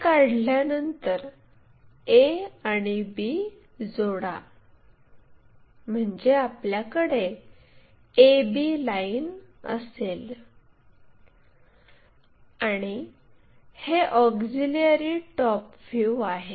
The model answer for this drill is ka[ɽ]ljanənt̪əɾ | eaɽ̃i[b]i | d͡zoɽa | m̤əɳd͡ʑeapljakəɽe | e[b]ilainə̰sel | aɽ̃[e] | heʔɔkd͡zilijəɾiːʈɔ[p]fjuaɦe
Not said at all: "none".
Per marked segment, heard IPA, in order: ɽ, b, b, i, p

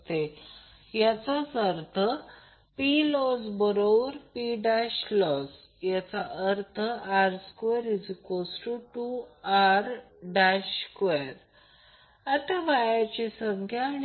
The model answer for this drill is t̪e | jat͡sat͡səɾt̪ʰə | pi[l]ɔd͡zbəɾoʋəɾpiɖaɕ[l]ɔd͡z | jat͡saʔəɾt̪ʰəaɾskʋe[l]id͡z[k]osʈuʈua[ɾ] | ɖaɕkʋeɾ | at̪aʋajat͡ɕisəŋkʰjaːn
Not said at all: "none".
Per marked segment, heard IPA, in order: l, l, ɾ, k, ɾ

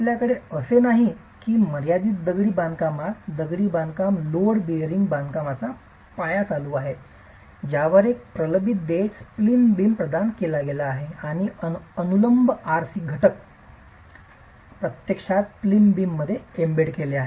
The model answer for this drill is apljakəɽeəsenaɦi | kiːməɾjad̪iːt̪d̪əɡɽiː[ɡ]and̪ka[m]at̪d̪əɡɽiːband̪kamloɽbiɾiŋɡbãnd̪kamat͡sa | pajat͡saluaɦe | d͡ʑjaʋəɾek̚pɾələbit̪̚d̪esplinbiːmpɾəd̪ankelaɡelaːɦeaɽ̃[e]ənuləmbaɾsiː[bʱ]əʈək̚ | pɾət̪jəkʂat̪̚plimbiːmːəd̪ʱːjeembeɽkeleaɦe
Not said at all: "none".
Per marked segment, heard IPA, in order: b, m, i, ɡʱ

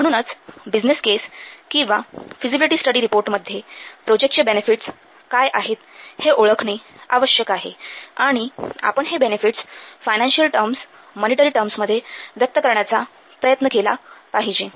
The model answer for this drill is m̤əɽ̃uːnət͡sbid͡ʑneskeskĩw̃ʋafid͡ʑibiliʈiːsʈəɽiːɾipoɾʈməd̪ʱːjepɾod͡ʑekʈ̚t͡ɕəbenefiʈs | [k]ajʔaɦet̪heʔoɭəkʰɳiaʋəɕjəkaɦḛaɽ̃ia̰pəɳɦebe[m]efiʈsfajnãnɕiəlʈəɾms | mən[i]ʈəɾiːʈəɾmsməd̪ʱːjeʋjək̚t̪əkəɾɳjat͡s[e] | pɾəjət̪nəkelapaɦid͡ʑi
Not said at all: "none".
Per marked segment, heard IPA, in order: k, n, i, a

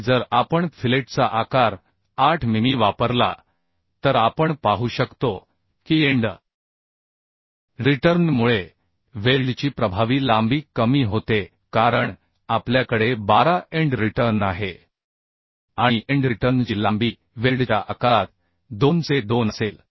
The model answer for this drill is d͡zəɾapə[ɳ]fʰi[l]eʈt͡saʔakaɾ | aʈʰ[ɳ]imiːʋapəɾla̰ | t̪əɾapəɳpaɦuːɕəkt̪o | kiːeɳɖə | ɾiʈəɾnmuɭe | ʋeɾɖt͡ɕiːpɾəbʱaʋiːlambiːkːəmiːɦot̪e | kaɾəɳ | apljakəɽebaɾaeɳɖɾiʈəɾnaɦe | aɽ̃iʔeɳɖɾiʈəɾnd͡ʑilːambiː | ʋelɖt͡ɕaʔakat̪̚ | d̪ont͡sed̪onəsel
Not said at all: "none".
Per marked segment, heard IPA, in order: ɳ, l, m

